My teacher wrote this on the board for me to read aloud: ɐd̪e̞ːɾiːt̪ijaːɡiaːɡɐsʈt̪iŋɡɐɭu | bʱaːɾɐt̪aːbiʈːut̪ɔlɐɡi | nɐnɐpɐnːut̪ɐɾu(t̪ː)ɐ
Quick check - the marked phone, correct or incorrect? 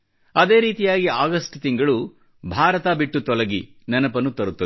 correct